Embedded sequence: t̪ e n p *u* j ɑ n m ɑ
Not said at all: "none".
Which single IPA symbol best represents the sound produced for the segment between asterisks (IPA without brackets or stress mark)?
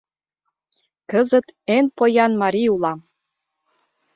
o